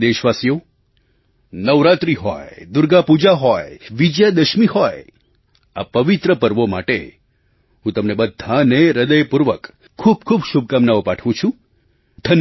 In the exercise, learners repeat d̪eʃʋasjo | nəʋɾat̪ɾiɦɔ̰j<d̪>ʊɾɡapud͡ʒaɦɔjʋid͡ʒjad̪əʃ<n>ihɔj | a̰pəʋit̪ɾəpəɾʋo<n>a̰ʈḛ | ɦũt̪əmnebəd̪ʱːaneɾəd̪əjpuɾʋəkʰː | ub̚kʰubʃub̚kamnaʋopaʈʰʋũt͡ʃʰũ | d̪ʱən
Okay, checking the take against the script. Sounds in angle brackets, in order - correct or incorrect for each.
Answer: correct, incorrect: m, incorrect: m

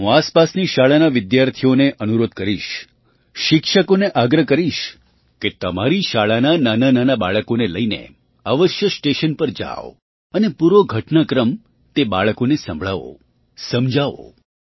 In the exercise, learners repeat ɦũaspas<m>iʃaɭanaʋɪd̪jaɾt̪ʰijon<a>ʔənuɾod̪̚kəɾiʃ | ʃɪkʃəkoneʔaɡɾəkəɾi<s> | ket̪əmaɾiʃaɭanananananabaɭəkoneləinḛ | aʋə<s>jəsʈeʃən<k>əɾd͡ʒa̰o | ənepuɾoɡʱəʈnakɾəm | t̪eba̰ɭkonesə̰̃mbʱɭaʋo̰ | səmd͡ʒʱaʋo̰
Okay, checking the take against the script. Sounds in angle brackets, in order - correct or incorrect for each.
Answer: incorrect: n, incorrect: e, incorrect: ʃ, incorrect: ʃ, incorrect: p

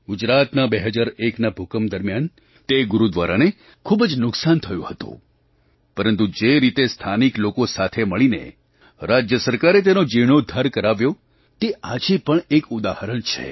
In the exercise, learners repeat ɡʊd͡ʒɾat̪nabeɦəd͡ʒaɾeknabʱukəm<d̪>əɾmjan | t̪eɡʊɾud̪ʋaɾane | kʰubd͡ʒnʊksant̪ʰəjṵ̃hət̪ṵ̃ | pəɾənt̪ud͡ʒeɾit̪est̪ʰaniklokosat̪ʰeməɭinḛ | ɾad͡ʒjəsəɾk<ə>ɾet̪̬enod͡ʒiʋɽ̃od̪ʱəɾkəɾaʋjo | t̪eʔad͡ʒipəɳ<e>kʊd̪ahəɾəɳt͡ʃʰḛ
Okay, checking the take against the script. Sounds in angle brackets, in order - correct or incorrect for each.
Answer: correct, incorrect: a, correct

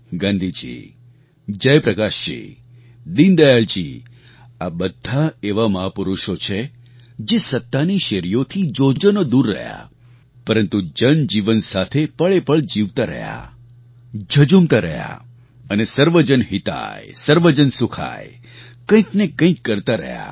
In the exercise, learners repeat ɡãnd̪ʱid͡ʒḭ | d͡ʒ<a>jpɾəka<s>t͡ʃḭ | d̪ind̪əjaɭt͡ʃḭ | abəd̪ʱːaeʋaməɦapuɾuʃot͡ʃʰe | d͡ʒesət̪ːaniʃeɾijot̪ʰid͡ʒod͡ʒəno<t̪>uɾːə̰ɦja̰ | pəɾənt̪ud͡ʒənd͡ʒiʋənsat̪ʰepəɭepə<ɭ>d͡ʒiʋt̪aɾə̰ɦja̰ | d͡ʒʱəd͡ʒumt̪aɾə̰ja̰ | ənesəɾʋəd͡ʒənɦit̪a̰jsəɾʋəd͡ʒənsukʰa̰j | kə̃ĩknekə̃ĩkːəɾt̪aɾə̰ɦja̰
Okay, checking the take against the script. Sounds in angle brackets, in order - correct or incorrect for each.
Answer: incorrect: ə, incorrect: ʃ, incorrect: d̪, correct

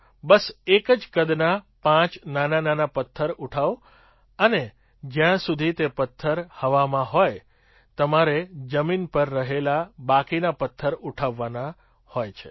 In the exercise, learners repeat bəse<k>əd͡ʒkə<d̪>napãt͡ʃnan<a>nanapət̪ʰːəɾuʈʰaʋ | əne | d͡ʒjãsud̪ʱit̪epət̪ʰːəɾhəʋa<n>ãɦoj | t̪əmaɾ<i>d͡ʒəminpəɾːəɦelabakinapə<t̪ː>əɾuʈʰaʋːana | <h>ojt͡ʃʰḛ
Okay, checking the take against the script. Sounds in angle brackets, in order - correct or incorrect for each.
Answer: correct, correct, correct, incorrect: m, incorrect: e, incorrect: t̪ʰː, correct

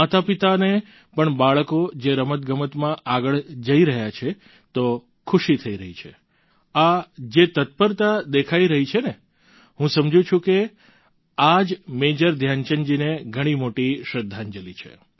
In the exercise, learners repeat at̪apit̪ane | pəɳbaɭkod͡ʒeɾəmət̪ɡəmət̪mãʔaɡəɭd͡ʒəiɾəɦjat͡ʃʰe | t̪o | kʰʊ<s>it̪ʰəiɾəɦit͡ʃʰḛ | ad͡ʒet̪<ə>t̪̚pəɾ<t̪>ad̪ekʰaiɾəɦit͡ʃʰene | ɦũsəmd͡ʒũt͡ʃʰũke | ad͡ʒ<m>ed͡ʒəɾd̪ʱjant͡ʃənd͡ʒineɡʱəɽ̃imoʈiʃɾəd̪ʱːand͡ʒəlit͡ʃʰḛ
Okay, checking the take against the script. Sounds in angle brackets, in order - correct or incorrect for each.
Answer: incorrect: ʃ, correct, correct, correct

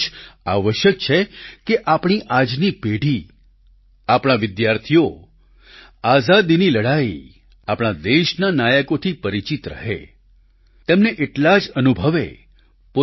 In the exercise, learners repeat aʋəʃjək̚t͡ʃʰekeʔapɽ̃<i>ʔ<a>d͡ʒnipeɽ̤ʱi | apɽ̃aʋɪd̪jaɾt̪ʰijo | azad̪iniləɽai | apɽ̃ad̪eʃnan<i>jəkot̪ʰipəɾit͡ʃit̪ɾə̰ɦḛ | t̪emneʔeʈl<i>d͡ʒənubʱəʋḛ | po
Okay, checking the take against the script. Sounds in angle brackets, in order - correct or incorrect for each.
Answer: correct, correct, incorrect: a, incorrect: a

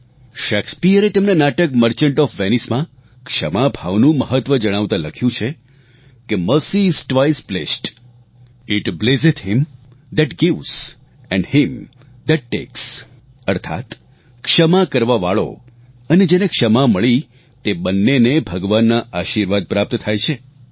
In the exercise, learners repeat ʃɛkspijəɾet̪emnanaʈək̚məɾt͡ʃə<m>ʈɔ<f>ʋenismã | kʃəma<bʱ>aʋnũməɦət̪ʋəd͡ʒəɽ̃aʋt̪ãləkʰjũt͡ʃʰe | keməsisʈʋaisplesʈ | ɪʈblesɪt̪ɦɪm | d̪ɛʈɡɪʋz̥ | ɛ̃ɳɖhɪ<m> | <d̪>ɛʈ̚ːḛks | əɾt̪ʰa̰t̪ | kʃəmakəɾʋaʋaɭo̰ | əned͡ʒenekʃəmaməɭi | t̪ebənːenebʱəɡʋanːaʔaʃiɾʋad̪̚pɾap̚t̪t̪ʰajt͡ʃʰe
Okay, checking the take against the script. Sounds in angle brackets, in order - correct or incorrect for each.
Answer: incorrect: ɳ, correct, correct, correct, correct

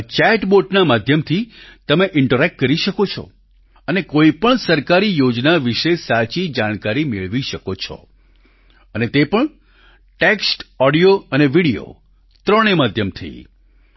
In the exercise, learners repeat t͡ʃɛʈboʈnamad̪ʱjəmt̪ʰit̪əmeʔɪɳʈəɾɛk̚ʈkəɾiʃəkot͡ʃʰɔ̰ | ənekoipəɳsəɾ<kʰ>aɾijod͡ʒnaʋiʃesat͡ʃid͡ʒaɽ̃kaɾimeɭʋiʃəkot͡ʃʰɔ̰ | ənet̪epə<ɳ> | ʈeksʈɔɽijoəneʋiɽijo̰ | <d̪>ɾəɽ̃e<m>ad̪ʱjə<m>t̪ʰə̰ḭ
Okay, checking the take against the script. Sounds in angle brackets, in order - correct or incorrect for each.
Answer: incorrect: k, correct, incorrect: t̪, correct, correct

